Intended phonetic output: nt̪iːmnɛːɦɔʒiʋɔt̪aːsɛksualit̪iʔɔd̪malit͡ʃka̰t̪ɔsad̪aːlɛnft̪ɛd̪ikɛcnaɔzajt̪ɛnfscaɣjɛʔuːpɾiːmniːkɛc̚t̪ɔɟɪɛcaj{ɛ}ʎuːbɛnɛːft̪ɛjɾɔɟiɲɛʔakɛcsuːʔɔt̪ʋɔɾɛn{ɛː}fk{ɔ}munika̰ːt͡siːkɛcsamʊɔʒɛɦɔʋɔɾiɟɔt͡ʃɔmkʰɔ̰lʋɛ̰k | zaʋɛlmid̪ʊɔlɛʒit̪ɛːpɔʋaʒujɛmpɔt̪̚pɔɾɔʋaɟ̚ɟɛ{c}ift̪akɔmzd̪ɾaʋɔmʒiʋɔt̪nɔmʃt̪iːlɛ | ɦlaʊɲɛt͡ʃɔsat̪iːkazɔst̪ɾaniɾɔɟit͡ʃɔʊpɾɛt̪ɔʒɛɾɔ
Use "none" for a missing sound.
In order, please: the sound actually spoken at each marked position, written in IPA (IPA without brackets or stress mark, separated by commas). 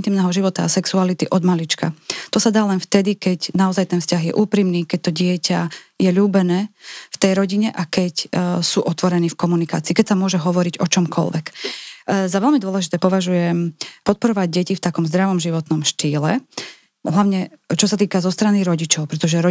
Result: ɛ, iː, ɔ, c